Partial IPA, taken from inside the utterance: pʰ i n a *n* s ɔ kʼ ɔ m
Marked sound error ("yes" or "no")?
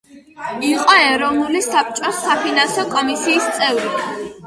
no